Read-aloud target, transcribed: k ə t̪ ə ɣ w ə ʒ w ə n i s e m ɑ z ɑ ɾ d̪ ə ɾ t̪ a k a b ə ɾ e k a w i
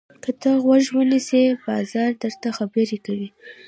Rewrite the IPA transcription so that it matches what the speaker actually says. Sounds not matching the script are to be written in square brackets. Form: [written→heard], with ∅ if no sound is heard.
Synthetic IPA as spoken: k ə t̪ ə ɣ w [ə→a] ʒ w ə n i s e [m→b] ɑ z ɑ ɾ d̪ ə ɾ t̪ a [k→x] a b ə ɾ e k a w i